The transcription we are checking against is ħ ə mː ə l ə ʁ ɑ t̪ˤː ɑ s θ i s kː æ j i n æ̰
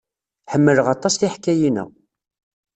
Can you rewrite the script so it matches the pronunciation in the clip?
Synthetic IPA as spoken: ħ ə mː ə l ə ʁ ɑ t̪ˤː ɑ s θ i ħ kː æ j i n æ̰